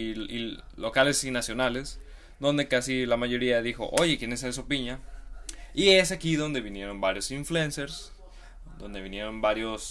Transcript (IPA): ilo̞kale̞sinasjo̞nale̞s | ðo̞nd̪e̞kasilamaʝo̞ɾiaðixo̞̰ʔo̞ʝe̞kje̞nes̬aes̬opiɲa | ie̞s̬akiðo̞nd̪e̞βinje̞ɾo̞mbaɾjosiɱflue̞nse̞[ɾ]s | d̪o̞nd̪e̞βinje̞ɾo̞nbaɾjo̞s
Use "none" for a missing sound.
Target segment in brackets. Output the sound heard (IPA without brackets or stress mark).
ɾ